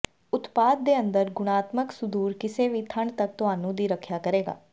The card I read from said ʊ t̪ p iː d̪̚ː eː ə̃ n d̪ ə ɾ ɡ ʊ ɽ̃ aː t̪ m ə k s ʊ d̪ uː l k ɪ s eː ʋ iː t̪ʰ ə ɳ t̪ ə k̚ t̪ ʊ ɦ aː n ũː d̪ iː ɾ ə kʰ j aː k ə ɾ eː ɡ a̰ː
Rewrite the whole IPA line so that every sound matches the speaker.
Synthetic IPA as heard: ʊ t̪ p aː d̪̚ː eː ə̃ n d̪ ə ɾ ɡ ʊ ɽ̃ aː t̪ m ə k s ʊ d̪ uː ɾ k ɪ s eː ʋ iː t̪ʰ ə ɳ t̪ ə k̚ t̪ ʊ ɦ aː n ũː d̪ iː ɾ ə kʰ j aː k ə ɾ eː ɡ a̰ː